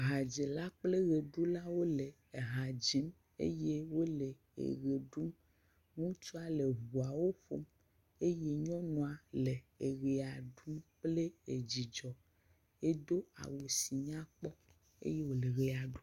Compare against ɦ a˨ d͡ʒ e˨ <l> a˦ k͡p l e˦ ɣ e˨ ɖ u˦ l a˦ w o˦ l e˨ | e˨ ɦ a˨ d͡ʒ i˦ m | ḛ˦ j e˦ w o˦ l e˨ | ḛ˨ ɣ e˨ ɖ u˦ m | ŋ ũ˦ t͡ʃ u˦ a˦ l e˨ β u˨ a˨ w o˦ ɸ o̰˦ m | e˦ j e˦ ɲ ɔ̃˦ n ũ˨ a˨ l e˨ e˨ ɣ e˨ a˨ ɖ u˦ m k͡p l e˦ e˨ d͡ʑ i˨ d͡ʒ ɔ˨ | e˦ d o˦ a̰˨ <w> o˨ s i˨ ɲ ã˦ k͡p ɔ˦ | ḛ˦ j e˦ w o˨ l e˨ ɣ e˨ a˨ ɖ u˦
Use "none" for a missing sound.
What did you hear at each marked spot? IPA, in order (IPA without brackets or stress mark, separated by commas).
l, w